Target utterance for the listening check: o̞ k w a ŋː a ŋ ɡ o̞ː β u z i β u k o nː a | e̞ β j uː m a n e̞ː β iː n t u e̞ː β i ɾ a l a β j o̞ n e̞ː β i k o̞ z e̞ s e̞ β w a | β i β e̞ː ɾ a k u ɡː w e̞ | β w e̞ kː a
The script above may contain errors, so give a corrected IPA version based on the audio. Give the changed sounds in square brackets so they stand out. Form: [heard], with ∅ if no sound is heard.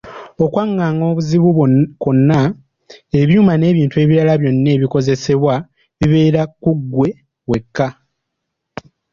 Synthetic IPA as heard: o̞ k w a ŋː a ŋ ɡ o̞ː β u z i β u k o nː a | e̞ β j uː m a n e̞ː β iː n t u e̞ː β i ɾ a l a β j o̞ [nː] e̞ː β i k o̞ z e̞ s e̞ β w a | β i β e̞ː ɾ a k u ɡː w e̞ | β w e̞ kː a